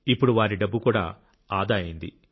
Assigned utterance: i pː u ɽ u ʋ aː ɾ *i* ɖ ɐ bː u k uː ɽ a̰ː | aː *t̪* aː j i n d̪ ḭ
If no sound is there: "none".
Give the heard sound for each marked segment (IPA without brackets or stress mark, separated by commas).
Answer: i, d̪